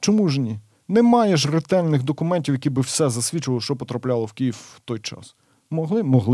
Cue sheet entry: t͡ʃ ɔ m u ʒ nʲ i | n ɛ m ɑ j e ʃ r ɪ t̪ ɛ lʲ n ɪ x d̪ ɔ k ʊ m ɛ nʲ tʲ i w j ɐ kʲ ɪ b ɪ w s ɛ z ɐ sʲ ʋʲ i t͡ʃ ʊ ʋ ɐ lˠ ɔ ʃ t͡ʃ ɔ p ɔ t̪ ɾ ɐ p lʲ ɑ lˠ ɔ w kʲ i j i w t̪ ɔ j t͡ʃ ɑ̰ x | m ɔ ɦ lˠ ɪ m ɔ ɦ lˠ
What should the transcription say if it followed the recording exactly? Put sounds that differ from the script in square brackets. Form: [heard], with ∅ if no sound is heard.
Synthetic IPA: t͡ʃ ɔ m u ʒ nʲ i | n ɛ m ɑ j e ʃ r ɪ t̪ ɛ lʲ n ɪ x d̪ ɔ k ʊ m ɛ nʲ tʲ i w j ɐ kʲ [i] b ɪ w s ɛ z ɐ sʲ ʋʲ i t͡ʃ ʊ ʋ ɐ lˠ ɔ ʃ t͡ʃ ɔ p ɔ t̪ ɾ ɐ p lʲ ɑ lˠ ɔ w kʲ i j i w t̪ ɔ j t͡ʃ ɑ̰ [s] | m ɔ ɦ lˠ ɪ m ɔ ɦ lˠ